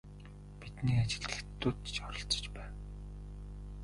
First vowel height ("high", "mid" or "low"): high